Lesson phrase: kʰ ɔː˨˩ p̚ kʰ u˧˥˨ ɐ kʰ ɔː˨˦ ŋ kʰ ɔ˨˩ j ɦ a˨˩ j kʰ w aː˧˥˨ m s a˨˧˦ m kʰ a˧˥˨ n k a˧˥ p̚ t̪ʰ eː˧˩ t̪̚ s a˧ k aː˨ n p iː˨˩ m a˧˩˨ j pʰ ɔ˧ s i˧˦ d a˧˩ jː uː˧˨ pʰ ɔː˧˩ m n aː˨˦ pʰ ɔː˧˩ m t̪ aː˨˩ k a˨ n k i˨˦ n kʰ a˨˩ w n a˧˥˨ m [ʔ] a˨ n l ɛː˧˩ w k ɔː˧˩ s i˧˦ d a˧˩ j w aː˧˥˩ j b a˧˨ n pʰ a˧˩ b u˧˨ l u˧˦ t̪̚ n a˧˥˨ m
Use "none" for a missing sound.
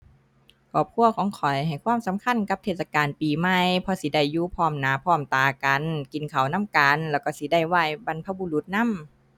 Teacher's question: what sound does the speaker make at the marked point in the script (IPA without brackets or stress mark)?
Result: k